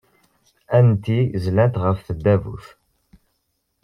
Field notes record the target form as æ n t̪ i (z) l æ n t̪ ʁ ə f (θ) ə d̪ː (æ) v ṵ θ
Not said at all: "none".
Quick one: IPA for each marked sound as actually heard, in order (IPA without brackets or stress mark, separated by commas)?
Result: z, θ, æ